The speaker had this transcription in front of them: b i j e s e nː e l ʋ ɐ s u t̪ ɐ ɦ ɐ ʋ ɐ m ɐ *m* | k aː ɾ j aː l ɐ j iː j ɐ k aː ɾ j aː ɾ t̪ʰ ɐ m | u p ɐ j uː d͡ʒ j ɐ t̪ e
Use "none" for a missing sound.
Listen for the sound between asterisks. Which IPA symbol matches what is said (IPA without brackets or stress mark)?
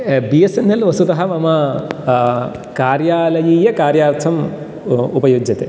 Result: none